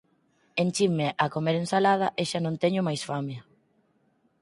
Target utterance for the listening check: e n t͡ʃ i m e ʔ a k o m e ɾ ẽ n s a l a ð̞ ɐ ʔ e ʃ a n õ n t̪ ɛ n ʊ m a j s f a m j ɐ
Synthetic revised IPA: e n t͡ʃ i m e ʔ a k o m e ɾ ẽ n s a l a ð̞ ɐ ʔ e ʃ a n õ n t̪ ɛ ɲ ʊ m a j s f a m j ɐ